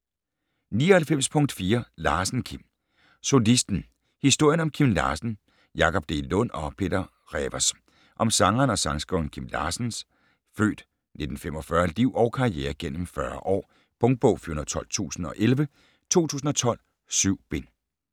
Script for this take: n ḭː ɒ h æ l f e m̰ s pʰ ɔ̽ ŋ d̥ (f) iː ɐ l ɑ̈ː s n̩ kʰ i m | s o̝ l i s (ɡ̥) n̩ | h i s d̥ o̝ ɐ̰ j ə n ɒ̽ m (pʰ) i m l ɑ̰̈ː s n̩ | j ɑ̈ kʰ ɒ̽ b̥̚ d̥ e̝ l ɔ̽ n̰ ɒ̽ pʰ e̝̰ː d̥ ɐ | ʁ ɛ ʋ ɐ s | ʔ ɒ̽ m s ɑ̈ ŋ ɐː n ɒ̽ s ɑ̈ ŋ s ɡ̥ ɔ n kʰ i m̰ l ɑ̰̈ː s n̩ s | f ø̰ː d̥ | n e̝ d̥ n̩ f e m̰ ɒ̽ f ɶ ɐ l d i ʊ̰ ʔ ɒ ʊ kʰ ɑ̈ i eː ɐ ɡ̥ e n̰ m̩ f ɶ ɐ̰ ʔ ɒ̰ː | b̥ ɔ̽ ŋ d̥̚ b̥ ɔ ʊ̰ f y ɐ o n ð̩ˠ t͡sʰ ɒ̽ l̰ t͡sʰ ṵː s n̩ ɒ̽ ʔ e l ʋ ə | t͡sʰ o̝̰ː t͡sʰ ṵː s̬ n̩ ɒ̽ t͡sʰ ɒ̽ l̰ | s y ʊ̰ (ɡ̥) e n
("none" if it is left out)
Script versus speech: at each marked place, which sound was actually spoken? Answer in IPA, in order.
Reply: f, d̥, kʰ, b̥

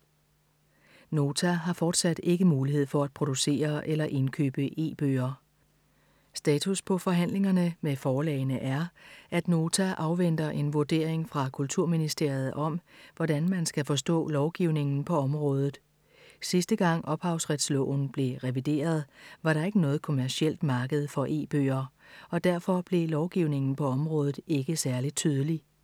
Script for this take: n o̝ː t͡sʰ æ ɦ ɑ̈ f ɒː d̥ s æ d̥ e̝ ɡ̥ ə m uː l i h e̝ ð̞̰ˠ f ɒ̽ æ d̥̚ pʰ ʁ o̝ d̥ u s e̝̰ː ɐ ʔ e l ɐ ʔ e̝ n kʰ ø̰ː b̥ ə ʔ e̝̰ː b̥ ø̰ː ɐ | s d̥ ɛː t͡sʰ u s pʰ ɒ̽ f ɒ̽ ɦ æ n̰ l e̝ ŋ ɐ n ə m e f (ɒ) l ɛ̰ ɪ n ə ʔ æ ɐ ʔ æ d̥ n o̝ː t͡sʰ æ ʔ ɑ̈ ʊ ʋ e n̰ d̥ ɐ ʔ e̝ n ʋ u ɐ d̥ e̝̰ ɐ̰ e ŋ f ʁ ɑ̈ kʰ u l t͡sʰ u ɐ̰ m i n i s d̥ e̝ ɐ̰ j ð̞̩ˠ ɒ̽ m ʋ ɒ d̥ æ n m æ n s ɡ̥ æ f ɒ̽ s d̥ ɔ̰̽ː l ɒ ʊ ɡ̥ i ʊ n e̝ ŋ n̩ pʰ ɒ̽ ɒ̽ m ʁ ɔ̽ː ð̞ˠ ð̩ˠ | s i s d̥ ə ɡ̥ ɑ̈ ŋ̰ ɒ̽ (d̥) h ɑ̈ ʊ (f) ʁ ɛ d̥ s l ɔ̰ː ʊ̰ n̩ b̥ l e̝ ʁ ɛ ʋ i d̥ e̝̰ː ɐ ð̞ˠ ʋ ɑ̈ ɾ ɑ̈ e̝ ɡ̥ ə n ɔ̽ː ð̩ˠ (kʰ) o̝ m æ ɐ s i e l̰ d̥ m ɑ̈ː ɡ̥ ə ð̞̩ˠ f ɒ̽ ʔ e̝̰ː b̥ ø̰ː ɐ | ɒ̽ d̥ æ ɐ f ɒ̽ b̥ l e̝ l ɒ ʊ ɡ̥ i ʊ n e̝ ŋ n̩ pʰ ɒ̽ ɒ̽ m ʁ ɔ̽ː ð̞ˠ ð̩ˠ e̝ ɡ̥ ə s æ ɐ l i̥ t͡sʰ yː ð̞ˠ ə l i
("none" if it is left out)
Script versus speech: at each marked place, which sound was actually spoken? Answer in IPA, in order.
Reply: ɒː, b̥, s, kʰ

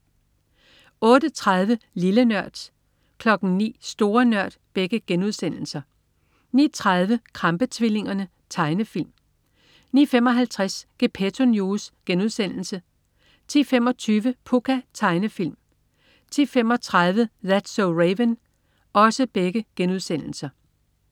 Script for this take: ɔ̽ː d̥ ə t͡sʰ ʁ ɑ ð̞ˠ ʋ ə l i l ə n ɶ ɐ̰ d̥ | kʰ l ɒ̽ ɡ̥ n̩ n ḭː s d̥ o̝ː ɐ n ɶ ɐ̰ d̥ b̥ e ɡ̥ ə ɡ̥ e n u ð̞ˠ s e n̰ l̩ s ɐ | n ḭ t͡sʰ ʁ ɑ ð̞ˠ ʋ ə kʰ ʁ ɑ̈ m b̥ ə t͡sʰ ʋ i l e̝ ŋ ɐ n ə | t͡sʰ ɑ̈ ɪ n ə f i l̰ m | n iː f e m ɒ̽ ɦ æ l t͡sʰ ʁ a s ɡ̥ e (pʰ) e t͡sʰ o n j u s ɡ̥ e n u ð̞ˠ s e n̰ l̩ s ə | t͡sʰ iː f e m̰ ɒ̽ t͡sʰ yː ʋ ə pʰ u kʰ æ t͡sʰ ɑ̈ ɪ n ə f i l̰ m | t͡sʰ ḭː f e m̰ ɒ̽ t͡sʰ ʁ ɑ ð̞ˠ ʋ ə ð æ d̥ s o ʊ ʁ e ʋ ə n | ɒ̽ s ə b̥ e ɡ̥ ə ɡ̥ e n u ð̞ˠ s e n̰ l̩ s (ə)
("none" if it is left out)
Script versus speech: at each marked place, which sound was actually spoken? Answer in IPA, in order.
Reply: pʰ, ɐ

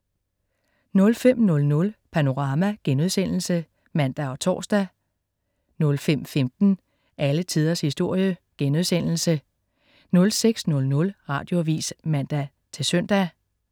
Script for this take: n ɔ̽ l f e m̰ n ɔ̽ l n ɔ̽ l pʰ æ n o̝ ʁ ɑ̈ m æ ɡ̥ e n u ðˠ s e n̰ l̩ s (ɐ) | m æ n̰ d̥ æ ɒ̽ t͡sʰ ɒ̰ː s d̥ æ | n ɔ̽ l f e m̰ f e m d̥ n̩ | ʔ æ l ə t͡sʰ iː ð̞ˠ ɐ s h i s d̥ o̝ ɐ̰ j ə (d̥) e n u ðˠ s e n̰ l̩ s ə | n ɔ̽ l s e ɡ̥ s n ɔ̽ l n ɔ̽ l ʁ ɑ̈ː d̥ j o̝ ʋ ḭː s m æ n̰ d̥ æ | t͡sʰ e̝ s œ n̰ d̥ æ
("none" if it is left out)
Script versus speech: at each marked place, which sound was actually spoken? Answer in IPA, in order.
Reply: ə, ɡ̥

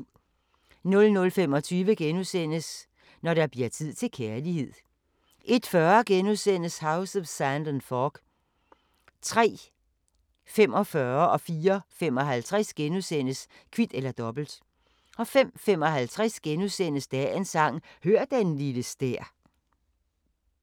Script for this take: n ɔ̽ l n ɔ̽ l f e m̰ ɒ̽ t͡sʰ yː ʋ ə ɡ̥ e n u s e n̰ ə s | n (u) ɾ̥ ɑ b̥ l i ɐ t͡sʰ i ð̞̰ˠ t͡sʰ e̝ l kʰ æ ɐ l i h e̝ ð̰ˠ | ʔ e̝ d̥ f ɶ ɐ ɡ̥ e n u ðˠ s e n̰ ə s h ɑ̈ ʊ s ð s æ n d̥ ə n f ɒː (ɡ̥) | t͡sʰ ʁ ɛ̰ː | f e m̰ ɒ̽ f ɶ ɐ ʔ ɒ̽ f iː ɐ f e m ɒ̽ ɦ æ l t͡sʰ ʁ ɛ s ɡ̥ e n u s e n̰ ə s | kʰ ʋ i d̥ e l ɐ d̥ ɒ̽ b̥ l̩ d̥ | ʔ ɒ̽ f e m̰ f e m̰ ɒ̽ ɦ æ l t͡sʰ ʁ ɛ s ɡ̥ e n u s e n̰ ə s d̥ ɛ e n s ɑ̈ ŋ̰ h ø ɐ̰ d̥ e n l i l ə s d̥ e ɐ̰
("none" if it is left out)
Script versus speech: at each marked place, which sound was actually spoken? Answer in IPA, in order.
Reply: ɒ, ɡ̥

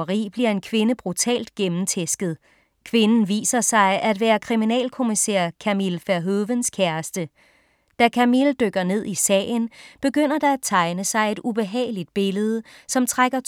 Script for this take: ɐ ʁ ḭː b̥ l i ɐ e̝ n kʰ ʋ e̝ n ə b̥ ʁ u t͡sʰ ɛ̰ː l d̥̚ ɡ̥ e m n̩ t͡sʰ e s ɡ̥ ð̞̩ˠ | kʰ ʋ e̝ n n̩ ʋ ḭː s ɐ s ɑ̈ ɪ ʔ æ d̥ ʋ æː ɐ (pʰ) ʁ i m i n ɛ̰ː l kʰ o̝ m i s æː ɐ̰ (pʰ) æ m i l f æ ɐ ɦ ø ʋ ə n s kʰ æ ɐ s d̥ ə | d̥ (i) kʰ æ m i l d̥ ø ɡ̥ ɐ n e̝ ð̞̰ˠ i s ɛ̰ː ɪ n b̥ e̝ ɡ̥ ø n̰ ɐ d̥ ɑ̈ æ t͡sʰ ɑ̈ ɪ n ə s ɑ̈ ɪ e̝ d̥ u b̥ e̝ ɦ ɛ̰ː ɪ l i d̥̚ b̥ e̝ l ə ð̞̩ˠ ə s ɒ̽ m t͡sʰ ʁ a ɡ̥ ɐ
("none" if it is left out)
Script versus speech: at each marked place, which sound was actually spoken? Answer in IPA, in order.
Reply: kʰ, kʰ, æ

